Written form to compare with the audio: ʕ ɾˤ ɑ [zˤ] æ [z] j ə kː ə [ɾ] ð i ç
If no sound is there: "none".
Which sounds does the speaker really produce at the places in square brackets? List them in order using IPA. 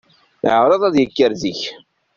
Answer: ðˤ, ð, ɾ

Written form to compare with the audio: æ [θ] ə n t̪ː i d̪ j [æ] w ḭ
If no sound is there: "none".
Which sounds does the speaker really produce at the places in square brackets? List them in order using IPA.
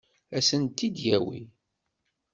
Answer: s, æ

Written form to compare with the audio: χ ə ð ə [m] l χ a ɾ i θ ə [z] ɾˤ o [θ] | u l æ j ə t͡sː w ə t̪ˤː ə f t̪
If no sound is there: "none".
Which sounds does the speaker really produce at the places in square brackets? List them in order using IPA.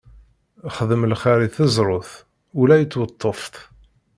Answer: m, z, θ

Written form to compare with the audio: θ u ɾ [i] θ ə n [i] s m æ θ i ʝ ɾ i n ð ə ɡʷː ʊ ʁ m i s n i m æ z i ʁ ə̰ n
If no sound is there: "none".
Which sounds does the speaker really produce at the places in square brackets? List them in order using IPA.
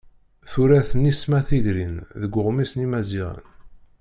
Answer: æ, i

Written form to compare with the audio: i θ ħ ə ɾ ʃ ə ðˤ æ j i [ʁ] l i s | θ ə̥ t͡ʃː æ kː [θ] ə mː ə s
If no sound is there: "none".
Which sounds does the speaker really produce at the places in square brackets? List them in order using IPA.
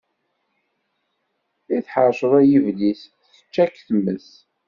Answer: v, θ

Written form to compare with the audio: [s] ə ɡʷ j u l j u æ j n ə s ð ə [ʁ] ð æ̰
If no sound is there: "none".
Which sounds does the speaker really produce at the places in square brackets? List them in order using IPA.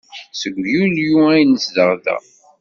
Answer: s, ʁ

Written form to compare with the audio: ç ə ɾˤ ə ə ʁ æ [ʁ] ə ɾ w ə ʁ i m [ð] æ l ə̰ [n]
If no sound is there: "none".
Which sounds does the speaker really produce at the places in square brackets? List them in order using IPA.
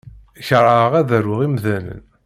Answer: ð, ð, n

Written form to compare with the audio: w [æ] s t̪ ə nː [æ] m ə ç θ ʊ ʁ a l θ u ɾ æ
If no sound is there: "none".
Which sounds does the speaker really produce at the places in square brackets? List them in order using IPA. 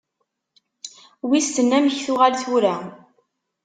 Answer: i, æ

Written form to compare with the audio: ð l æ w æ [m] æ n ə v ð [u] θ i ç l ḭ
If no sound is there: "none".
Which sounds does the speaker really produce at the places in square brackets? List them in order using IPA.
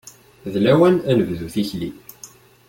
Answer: n, u

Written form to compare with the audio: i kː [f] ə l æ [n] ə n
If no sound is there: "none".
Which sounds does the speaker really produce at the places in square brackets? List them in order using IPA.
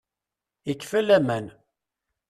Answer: f, m

